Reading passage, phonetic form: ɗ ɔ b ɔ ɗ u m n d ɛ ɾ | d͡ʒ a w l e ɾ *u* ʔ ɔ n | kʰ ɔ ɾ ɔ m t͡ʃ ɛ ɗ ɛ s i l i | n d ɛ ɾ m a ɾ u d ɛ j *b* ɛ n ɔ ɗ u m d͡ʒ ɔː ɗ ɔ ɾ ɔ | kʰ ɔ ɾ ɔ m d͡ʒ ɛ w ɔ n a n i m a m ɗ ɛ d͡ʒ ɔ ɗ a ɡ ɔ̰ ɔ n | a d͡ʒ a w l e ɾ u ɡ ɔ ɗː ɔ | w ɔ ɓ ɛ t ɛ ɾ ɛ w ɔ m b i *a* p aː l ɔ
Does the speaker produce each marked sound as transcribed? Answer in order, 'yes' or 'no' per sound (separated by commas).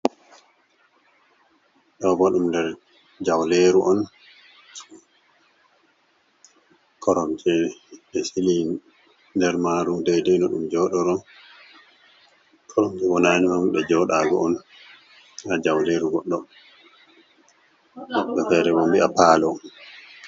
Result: yes, no, yes